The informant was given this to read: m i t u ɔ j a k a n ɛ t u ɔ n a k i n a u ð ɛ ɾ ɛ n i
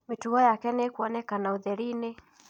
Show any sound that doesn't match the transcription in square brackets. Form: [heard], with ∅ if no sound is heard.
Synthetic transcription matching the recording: m i t u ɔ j a k [ɛ] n ɛ [k] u ɔ n [ɛ] k [a] n a u ð ɛ ɾ [i] n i